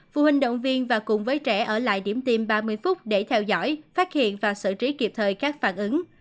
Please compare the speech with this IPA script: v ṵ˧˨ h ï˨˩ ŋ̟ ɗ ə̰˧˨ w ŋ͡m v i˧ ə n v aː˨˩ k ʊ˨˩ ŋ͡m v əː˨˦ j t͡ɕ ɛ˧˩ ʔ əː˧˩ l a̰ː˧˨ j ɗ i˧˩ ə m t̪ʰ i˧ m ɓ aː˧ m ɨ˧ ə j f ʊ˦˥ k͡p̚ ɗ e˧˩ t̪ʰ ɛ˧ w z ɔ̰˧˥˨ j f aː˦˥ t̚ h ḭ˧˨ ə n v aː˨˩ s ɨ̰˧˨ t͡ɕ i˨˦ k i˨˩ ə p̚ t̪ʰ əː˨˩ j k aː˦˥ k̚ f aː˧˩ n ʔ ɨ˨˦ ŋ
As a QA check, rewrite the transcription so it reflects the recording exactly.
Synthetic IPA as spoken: v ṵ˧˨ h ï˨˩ ŋ̟ ɗ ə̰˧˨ w ŋ͡m v i˧ ə n v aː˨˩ k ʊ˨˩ ŋ͡m v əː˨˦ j t͡ɕ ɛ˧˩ ʔ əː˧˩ l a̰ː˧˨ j ɗ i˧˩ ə m t̪ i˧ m ɓ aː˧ m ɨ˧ ə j f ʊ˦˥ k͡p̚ ɗ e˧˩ t̪ʰ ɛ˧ w z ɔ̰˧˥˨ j f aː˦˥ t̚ h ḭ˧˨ ə n v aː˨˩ s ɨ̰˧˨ t͡ɕ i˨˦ k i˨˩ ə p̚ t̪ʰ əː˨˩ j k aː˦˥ k̚ f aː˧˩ n ʔ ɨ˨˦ ŋ